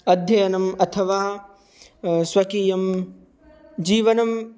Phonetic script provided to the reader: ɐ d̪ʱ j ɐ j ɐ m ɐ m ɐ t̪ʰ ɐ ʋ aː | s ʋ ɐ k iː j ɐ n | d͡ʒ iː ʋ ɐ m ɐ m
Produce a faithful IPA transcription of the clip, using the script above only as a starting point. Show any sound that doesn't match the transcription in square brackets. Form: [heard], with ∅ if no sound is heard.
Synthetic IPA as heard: ɐ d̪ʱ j ɐ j ɐ [n] ɐ m ɐ t̪ʰ ɐ ʋ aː | s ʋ ɐ k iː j ɐ [m] | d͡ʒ iː ʋ ɐ [n] ɐ m